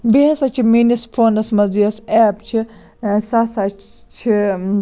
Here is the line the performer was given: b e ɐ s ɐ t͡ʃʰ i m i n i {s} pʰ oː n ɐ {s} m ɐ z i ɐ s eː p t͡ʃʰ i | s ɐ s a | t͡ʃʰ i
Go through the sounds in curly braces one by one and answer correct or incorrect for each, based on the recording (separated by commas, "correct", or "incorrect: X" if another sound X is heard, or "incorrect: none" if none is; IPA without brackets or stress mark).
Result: correct, correct